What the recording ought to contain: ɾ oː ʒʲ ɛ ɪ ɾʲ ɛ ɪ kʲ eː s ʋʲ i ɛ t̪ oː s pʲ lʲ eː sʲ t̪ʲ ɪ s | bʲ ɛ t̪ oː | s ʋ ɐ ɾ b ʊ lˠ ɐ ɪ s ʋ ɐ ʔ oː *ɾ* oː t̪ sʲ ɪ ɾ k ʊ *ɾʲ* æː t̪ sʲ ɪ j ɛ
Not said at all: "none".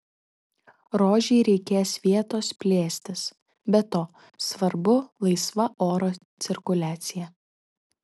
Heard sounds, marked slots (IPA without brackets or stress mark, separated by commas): ɾ, lʲ